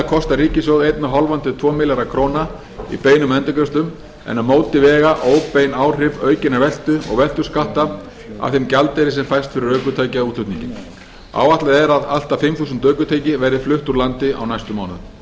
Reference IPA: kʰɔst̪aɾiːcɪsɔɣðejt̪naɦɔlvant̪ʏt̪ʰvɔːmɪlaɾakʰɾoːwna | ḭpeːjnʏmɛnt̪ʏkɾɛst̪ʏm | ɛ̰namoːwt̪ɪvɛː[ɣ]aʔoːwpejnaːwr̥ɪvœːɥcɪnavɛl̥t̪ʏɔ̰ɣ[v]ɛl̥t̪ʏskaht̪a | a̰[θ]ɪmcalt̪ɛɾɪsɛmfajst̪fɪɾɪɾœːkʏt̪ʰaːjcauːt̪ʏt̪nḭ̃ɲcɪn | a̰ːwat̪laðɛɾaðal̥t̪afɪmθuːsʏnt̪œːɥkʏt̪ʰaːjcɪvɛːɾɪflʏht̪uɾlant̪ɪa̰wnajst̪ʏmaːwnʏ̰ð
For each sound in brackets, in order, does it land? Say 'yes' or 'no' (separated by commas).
yes, yes, yes